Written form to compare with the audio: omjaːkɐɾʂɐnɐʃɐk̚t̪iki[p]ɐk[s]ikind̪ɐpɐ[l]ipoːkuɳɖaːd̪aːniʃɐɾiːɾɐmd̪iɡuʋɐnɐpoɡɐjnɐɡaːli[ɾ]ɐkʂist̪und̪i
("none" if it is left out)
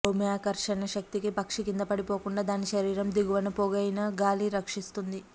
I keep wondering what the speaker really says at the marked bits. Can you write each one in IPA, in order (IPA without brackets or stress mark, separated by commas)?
p, ʂ, ɽ, ɾ